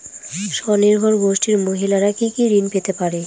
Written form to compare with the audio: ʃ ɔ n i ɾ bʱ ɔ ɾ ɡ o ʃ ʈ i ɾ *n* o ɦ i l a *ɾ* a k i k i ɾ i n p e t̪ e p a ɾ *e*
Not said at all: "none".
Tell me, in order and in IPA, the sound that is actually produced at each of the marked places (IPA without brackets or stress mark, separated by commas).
m, ɾ, e